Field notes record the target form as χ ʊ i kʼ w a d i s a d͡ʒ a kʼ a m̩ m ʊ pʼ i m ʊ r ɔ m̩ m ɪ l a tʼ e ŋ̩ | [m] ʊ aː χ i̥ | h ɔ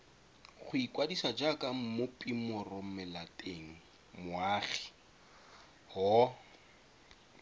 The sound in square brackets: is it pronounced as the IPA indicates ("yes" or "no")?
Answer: yes